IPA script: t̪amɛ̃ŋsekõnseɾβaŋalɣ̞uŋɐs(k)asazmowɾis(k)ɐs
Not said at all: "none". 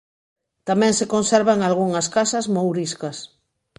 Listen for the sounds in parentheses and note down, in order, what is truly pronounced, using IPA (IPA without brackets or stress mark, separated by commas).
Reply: k, k